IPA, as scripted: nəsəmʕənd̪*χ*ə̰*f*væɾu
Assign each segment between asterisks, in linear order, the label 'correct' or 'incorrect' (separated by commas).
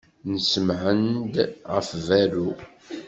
incorrect, correct